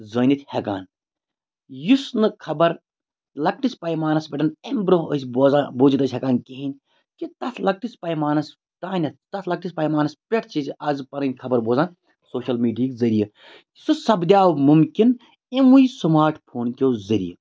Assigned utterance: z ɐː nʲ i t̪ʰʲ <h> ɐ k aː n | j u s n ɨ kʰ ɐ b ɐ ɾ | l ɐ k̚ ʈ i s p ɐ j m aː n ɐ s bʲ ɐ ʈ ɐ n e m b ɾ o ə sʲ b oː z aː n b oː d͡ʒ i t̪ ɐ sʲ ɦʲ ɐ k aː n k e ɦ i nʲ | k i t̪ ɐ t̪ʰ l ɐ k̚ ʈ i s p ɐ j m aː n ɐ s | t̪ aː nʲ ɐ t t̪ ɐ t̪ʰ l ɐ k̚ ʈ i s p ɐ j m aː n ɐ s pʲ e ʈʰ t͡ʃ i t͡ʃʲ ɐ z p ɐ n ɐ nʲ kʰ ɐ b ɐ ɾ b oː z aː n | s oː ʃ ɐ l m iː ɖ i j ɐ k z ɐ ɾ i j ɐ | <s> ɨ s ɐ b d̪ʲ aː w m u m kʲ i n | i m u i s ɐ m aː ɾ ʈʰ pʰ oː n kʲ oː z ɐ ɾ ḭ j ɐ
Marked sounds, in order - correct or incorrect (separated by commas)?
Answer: correct, correct